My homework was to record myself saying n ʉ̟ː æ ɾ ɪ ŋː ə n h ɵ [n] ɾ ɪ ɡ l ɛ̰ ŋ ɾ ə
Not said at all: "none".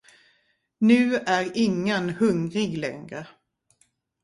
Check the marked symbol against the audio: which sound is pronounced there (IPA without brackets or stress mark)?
ŋ